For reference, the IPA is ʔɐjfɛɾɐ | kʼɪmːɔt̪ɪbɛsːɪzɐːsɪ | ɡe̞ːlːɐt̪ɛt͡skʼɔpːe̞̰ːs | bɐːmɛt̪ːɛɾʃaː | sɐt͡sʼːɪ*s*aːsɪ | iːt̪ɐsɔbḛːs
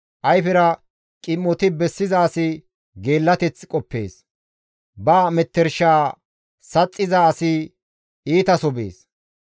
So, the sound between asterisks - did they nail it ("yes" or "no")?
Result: no